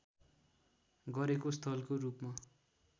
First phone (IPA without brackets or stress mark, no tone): ɡ